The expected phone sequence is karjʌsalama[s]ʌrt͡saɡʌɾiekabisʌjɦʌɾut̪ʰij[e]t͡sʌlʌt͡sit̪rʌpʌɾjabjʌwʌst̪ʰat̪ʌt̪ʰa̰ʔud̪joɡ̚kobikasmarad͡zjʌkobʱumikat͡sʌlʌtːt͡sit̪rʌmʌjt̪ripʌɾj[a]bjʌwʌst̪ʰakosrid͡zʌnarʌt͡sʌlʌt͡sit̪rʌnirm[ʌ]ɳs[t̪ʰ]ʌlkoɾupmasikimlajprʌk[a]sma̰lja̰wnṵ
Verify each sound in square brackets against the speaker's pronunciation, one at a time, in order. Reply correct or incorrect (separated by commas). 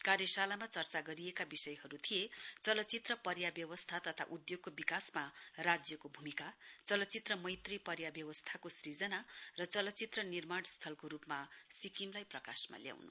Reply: incorrect, correct, correct, incorrect, correct, correct